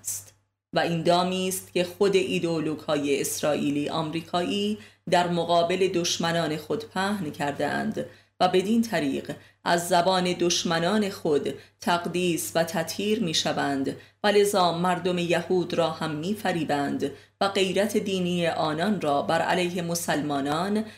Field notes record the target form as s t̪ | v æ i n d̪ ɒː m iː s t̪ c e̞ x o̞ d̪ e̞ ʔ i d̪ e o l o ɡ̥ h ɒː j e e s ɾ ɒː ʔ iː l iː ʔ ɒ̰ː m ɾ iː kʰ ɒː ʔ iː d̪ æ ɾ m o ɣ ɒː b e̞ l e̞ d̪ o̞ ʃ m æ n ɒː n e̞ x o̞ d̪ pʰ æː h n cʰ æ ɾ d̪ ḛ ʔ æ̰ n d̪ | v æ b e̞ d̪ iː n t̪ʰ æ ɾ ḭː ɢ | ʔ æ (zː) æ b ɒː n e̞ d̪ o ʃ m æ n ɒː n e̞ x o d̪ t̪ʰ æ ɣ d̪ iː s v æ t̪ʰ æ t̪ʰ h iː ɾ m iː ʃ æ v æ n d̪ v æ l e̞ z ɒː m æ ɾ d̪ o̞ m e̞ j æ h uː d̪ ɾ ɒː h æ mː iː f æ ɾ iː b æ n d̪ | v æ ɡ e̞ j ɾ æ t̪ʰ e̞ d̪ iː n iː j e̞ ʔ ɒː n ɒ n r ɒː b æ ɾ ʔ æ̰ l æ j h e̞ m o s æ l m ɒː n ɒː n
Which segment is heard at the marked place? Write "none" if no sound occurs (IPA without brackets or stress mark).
zː